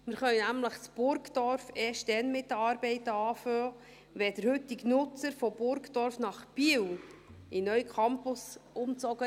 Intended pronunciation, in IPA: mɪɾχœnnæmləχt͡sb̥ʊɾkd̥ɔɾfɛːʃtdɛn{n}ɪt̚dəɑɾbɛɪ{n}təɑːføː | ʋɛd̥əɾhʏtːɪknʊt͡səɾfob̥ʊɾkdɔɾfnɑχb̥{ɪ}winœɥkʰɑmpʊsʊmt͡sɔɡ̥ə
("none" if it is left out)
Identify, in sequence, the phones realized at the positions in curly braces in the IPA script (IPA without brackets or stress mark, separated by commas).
m, none, i